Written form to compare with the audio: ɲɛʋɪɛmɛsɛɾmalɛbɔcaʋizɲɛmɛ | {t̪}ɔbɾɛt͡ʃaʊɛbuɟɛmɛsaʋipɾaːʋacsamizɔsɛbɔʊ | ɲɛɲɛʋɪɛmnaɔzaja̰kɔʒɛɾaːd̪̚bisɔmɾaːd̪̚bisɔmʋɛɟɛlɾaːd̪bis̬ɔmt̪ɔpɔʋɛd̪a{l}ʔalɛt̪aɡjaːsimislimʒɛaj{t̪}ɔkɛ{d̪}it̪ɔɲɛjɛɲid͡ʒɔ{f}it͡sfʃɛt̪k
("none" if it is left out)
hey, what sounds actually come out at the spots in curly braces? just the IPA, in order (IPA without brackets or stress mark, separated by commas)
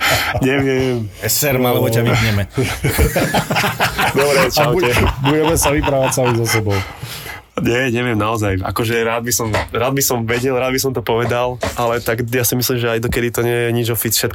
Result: d̪, l, d̪, d̪, f